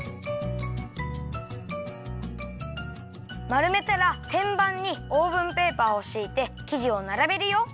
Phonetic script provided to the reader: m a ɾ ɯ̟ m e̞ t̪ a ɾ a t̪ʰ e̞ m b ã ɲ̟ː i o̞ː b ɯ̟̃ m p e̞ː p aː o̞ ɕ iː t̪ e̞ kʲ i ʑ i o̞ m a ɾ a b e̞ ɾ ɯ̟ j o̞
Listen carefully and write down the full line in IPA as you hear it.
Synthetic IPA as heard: m a ɾ ɯ̟ m e̞ t̪ a ɾ a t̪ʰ ẽ̞ m b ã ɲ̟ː i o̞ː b ɯ̟̃ m p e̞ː p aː o̞ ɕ iː t̪ e̞ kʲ i ʑ i o̞ n a ɾ a b e̞ ɾ ɯ̟ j o̞